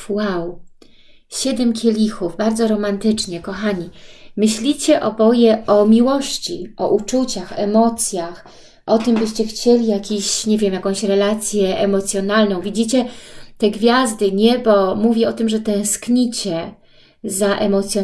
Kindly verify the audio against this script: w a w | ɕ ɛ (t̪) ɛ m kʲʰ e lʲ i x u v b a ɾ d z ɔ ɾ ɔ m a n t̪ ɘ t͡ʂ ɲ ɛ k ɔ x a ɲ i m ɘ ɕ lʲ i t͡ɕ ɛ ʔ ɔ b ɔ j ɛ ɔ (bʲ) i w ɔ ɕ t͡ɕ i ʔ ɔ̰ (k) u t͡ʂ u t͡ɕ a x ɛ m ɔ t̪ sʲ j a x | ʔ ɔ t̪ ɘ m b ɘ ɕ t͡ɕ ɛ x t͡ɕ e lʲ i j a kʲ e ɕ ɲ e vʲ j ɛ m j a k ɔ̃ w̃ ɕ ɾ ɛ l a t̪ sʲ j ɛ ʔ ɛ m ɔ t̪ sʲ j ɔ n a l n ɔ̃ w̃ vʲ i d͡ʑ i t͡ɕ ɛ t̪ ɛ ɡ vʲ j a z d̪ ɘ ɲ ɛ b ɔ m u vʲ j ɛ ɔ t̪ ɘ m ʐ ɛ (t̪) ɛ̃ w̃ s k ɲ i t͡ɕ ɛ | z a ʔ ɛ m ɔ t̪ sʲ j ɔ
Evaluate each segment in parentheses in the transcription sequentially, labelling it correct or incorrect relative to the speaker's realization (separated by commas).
incorrect, incorrect, incorrect, correct